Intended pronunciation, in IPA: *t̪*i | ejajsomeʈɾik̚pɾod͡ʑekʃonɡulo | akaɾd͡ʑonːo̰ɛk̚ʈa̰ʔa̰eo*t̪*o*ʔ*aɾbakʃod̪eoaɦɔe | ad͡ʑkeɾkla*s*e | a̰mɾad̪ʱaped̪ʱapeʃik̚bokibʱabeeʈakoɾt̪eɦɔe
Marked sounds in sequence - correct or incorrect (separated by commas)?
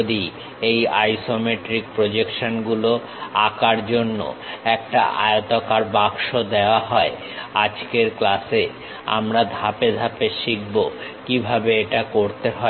incorrect, correct, incorrect, correct